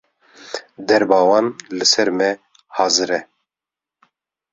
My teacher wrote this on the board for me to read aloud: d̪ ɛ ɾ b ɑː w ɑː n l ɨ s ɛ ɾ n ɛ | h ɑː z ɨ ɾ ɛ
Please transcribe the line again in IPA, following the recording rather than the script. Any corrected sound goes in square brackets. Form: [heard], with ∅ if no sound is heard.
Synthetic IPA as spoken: d̪ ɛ ɾ b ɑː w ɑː n l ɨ s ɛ ɾ [m] ɛ | h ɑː z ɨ ɾ ɛ